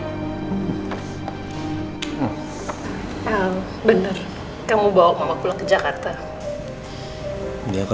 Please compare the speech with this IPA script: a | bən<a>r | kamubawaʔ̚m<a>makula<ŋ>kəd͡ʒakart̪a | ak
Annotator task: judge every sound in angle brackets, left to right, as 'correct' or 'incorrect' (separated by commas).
incorrect, correct, correct